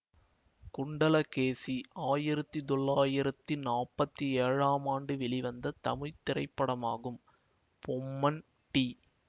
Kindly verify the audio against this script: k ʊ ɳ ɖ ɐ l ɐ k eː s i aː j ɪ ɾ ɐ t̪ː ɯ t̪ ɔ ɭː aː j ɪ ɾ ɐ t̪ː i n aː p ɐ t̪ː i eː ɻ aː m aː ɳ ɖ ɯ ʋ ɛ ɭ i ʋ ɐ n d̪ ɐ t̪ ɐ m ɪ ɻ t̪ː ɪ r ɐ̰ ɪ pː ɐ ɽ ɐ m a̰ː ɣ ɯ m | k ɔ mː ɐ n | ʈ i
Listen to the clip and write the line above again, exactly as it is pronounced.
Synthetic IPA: k ʊ ɳ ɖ ɐ l ɐ k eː s i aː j ɪ ɾ ɐ t̪ː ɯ t̪ ɔ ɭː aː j ɪ ɾ ɐ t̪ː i n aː p ɐ t̪ː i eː ɻ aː m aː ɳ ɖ ɯ ʋ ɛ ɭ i ʋ ɐ n d̪ ɐ t̪ ɐ m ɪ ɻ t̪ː ɪ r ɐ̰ ɪ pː ɐ ɽ ɐ m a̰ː ɣ ɯ m | p ɔ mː ɐ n | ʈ i

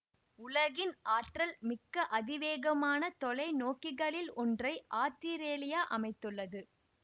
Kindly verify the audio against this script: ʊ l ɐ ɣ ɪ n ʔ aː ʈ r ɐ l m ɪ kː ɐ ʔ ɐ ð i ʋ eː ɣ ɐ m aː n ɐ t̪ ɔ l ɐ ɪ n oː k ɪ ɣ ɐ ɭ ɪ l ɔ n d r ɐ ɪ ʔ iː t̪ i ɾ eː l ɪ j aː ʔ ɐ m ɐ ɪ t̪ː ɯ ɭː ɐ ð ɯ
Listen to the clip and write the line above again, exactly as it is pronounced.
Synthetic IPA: ʊ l ɐ ɣ ɪ n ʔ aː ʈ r ɐ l m ɪ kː ɐ ʔ ɐ ð ɪ ʋ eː ɣ ɐ m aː n ɐ t̪ ɔ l ɐ ɪ n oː k ɪ ɣ ɐ ɭ ɪ l ɔ n d r ɐ ɪ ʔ aː t̪ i ɾ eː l ɪ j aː ʔ ɐ m ɐ ɪ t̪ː ɯ ɭː ɐ ð ɯ

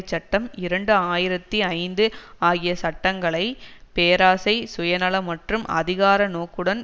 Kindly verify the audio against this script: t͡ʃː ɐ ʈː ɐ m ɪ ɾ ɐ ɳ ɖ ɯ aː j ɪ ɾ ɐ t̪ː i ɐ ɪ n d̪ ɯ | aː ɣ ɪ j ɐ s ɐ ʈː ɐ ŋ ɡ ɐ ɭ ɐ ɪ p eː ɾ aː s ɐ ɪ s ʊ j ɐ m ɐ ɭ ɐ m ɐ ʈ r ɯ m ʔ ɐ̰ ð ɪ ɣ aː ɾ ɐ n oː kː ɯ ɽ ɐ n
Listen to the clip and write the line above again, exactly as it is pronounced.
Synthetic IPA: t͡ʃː ɐ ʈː ɐ m ɪ ɾ ɐ ɳ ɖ ɯ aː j ɪ ɾ ɐ t̪ː i ɐ ɪ n d̪ ɯ | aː ɣ ɪ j ɐ s ɐ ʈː ɐ ŋ ɡ ɐ ɭ ɐ ɪ p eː ɾ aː s ɐ ɪ s ʊ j ɐ n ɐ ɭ ɐ m ɐ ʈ r ɯ m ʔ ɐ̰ ð ɪ ɣ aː ɾ ɐ n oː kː ɯ ɽ ɐ n

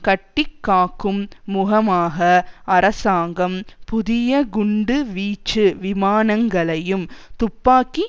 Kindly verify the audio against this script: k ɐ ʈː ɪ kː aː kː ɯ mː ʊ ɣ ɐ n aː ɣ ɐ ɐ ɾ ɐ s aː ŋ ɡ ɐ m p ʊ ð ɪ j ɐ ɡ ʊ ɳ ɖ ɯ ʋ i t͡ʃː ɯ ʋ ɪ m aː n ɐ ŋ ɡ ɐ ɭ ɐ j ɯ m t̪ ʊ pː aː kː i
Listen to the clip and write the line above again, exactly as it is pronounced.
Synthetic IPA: k ɐ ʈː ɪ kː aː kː ɯ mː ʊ ɣ ɐ m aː ɣ ɐ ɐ ɾ ɐ s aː ŋ ɡ ɐ m p ʊ ð ɪ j ɐ ɡ ʊ ɳ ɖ ɯ ʋ iː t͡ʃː ɯ ʋ ɪ m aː n ɐ ŋ ɡ ɐ ɭ ɐ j ɯ m t̪ ʊ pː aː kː i

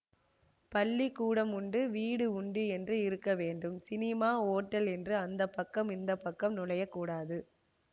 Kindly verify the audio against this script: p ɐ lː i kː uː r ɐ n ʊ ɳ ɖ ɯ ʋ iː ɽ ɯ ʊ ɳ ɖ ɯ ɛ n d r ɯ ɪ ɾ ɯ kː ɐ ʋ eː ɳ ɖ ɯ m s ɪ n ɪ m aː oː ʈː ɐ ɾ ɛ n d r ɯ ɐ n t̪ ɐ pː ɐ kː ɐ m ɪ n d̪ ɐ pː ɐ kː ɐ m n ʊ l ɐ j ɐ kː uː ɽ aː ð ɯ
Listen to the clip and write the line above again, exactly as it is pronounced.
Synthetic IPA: p ɐ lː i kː uː ɽ ɐ m ʊ ɳ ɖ ɯ ʋ iː ɽ ɯ ʊ ɳ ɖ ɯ ɛ n d r ɯ ɪ ɾ ɯ kː ɐ ʋ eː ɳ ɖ ɯ m s ɪ n ɪ m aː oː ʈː ɐ l ɛ n d r ɯ ɐ n d̪ ɐ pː ɐ kː ɐ m ɪ n d̪ ɐ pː ɐ kː ɐ m n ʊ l ɐ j ɐ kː uː ɽ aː ð ɯ

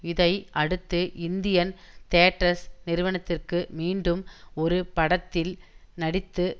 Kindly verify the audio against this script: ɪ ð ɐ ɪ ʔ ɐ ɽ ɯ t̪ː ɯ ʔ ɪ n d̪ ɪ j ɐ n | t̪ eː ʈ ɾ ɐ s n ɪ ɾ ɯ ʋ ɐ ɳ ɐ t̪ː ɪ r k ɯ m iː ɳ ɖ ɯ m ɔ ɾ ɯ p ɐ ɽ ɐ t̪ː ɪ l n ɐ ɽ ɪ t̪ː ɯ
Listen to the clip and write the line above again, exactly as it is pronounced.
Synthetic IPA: ɪ ð ɐ ɪ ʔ ɐ ɽ ɯ t̪ː ɯ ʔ ɪ n d̪ ɪ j ɐ n | t̪ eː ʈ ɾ ɐ s n ɪ ɾ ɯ ʋ ɐ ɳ ɐ t̪ː ɪ r k ɯ m iː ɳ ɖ ɯ m ɔ ɾ ɯ p ɐ ɽ ɐ t̪ː ɪ l n ɐ ɽ ɪ t̪ː ɯ

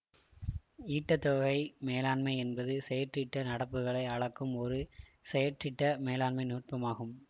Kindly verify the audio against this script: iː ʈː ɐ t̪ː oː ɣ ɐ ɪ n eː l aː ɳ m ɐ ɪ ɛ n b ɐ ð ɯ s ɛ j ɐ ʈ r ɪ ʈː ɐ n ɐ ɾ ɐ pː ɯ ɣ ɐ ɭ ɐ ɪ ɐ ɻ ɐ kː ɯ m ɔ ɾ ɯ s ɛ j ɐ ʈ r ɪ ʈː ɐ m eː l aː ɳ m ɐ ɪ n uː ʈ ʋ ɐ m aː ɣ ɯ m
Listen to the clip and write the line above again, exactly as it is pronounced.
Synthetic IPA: iː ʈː ɐ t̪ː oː ɣ ɐ ɪ m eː l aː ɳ m ɐ ɪ ɛ n b ɐ ð ɯ s ɛ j ɐ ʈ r ɪ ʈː ɐ n ɐ ɽ ɐ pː ɯ ɣ ɐ ɭ ɐ ɪ ɐ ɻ ɐ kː ɯ m ɔ ɾ ɯ s ɛ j ɐ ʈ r ɪ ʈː ɐ m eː l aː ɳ m ɐ ɪ n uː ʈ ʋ ɐ m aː ɣ ɯ m

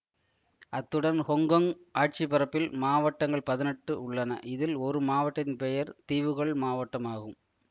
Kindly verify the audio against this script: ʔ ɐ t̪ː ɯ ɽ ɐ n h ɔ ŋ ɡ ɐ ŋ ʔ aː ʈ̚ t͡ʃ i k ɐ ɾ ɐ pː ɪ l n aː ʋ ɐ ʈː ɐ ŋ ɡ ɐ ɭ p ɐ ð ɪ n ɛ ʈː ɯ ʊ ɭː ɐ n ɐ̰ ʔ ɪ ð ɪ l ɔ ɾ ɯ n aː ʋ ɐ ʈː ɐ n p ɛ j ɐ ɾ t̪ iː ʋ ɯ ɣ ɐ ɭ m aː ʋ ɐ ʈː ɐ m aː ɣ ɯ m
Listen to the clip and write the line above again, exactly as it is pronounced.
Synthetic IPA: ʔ ɐ t̪ː ɯ ɽ ɐ n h ɔ ŋ ɡ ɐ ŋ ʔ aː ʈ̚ t͡ʃ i p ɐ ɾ ɐ pː ɪ l m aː ʋ ɐ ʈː ɐ ŋ ɡ ɐ ɭ p ɐ ð ɪ n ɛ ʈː ɯ ʊ ɭː ɐ n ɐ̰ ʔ ɪ ð ɪ l ɔ ɾ ɯ m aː ʋ ɐ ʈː ɐ n p ɛ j ɐ ɾ t̪ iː ʋ ɯ ɣ ɐ ɭ m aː ʋ ɐ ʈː ɐ m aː ɣ ɯ m

